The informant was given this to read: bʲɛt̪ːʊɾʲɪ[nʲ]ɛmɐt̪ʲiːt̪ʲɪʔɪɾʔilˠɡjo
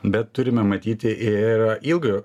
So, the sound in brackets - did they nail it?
no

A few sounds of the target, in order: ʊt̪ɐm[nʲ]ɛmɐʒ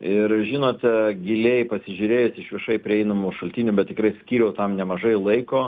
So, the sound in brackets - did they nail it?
yes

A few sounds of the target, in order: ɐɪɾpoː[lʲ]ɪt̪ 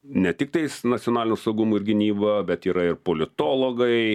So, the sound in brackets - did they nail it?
yes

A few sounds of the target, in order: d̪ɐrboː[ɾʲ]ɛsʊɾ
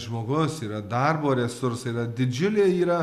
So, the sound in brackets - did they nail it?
yes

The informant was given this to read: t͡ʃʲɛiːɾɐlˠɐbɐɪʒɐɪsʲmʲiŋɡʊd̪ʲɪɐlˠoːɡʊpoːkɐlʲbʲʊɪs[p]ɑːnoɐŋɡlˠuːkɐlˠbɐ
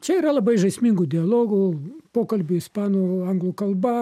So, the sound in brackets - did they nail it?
yes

